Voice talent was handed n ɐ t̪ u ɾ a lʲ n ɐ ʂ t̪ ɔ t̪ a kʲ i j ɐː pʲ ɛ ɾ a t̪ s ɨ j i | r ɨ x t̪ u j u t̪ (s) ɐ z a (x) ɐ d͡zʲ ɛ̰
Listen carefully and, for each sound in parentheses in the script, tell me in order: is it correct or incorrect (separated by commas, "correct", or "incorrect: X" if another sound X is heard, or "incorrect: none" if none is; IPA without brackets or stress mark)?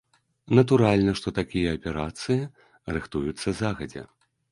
incorrect: sː, incorrect: ɣ